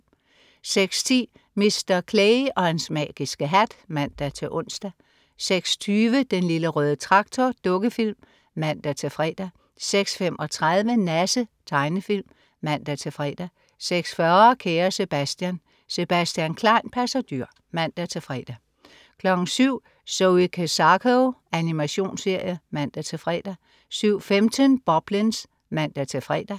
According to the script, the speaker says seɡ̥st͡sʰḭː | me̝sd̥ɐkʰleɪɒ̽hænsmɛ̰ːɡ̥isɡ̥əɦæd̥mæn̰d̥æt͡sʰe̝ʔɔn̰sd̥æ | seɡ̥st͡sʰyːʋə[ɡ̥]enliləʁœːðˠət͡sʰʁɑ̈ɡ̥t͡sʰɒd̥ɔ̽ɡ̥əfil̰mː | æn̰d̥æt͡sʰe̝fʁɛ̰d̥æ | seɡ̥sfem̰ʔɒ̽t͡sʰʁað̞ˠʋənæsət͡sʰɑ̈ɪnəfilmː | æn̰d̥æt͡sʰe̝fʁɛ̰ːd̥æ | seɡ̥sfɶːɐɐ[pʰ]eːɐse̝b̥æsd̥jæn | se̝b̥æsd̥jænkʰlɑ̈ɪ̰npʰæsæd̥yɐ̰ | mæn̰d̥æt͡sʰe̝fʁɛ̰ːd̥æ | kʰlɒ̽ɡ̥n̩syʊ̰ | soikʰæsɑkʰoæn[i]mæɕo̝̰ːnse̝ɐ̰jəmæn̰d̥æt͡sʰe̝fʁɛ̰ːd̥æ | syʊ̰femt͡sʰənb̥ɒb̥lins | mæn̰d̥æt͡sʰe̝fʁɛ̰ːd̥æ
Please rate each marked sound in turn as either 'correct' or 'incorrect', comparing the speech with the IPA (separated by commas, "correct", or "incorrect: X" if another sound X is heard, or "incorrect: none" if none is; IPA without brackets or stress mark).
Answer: incorrect: d̥, incorrect: kʰ, correct